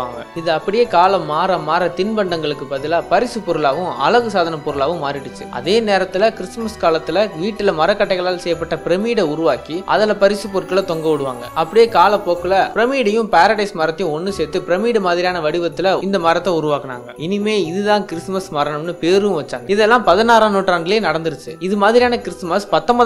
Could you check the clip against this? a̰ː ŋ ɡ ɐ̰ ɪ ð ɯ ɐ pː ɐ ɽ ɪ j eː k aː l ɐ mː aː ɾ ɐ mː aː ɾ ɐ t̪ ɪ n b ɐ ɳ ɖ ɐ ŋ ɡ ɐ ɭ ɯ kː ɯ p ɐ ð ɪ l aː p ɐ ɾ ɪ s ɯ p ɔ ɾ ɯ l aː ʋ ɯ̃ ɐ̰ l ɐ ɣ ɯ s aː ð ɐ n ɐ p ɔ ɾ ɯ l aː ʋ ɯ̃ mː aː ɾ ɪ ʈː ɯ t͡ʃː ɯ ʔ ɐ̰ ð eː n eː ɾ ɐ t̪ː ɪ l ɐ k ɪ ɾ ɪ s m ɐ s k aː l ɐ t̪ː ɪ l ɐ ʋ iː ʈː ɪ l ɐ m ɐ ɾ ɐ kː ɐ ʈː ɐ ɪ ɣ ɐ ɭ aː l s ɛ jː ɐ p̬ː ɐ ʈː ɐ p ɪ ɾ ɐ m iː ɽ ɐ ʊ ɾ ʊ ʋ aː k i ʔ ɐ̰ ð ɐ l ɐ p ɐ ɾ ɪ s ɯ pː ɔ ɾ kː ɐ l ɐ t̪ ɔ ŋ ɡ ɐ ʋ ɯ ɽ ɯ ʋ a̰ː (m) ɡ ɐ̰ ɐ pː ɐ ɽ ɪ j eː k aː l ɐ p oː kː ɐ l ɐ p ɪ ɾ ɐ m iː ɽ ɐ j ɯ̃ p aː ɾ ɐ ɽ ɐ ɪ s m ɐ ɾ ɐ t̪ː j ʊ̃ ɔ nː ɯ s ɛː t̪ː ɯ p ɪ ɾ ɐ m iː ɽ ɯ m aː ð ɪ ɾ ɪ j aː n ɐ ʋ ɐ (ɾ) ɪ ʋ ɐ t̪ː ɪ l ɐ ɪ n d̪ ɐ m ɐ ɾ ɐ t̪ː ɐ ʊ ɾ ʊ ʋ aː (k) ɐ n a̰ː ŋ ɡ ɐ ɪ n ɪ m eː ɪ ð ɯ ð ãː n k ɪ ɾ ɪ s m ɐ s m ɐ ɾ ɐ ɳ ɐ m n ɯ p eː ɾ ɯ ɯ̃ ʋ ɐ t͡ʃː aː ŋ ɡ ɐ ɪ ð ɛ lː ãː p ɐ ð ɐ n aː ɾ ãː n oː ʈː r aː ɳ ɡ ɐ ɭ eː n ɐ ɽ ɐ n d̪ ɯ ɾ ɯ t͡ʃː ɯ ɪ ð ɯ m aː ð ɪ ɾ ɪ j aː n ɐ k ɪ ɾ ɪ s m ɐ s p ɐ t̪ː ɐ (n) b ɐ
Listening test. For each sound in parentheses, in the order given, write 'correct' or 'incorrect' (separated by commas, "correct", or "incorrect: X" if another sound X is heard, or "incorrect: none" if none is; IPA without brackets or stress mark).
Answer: incorrect: ŋ, incorrect: ɽ, correct, incorrect: m